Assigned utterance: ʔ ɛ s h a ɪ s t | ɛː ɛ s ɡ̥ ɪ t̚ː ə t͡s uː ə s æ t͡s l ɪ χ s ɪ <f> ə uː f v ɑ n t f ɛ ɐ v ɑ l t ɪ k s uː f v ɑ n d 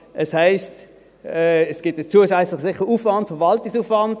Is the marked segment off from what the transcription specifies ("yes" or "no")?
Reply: yes